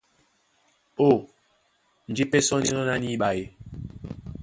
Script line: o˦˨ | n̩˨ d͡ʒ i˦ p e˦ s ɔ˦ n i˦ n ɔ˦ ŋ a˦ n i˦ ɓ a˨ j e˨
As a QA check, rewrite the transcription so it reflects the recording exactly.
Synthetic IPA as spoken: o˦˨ | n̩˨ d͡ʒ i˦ p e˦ s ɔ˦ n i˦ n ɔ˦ n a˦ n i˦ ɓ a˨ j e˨